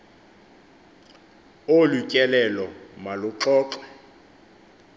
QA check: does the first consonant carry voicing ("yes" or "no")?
yes